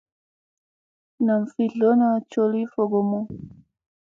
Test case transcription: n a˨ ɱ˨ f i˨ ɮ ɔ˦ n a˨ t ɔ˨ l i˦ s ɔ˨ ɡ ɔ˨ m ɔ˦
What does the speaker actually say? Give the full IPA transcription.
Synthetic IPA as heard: n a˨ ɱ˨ f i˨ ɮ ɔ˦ n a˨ t͡ʃ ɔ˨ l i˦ f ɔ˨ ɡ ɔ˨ m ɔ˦